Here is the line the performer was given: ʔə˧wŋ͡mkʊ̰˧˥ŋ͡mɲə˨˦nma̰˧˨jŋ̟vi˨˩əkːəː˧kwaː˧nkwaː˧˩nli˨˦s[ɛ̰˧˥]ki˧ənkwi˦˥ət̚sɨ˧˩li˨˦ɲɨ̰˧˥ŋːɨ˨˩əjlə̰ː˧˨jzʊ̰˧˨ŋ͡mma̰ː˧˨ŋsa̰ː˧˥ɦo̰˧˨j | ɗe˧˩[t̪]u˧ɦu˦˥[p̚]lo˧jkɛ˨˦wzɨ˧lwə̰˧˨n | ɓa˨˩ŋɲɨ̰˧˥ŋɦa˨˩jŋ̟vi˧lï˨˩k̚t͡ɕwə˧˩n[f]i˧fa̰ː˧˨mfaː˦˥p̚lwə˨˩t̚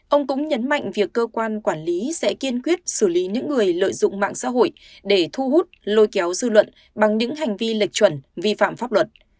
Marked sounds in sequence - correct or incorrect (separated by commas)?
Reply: correct, incorrect, incorrect, incorrect